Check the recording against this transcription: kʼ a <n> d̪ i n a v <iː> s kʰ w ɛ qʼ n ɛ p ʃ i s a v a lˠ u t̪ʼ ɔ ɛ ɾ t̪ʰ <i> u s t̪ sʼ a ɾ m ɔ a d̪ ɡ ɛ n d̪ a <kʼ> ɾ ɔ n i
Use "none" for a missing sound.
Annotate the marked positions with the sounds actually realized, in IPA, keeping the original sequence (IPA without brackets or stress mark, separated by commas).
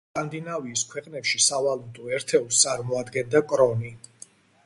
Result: n, iː, ɛ, kʼ